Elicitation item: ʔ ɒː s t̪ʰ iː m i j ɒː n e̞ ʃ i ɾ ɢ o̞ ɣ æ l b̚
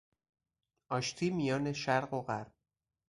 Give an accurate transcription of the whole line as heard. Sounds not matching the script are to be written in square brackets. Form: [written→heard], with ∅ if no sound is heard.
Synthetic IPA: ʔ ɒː [s→ʃ] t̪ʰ iː m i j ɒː n e̞ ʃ [i→æ] ɾ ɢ o̞ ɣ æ [l→ɾ] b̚

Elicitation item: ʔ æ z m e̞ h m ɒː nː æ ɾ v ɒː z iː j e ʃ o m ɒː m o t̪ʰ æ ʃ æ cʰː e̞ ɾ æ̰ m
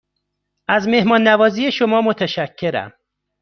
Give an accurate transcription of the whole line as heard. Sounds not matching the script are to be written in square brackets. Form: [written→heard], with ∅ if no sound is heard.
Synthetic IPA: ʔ æ z m e̞ h m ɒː nː æ [ɾ→∅] v ɒː z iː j e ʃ o m ɒː m o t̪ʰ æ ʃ æ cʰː e̞ ɾ æ̰ m

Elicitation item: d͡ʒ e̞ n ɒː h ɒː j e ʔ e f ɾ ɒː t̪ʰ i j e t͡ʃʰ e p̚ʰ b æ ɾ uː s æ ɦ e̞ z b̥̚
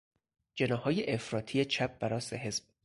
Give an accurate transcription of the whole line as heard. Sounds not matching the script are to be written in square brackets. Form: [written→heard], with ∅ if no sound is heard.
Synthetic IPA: d͡ʒ e̞ n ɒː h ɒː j e ʔ e f ɾ ɒː t̪ʰ i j e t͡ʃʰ [e→æ] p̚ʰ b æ ɾ [uː→ɒː] s [æ→e] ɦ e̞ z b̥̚

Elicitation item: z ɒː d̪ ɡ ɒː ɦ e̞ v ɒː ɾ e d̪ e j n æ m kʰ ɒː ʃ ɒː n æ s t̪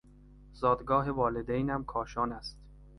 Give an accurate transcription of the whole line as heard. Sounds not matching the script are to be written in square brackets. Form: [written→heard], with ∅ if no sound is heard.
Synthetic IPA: z ɒː d̪ ɡ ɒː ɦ e̞ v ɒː [ɾ→l] e d̪ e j n æ m kʰ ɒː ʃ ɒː n æ s t̪

